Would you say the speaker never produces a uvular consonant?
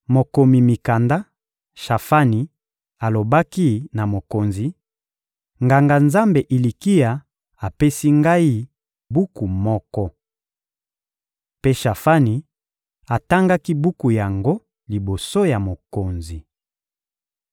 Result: yes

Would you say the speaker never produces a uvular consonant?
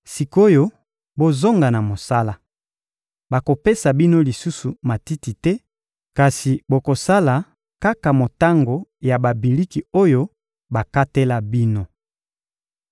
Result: yes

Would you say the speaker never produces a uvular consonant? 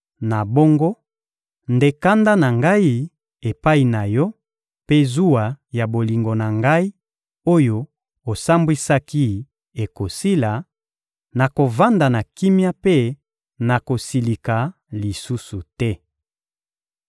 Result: yes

